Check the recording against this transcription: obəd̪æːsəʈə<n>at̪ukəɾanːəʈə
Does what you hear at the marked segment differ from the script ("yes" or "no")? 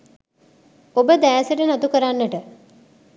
no